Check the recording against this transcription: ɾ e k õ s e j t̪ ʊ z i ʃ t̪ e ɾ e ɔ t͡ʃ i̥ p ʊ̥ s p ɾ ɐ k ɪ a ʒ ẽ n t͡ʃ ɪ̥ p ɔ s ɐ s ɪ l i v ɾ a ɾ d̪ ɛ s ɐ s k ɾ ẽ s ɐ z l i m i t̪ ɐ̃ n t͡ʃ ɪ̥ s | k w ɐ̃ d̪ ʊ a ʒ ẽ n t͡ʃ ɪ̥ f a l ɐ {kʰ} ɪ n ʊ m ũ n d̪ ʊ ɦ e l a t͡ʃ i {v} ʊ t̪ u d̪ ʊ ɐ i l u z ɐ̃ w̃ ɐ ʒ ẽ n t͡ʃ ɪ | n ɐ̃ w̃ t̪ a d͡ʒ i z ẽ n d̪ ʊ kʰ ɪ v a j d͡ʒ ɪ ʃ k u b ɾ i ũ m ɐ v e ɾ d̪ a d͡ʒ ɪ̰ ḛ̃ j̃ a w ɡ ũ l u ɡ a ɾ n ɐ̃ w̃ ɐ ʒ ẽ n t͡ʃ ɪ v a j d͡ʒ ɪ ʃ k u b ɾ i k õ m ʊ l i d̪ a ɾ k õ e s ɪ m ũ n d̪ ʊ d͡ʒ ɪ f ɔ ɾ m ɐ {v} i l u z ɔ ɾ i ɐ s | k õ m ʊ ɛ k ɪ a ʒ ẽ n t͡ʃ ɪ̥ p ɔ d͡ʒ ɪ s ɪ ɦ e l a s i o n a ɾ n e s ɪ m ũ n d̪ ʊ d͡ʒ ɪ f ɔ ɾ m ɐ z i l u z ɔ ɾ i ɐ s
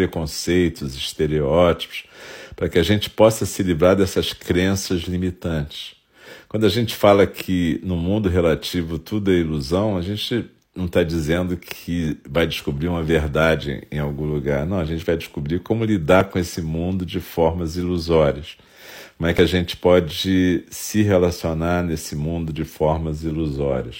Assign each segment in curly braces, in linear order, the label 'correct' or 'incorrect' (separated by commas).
correct, correct, incorrect